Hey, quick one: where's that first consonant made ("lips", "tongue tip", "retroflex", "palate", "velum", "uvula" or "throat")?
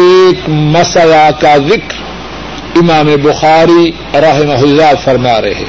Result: velum